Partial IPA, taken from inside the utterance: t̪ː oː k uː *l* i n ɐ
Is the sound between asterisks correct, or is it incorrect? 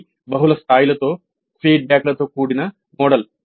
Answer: incorrect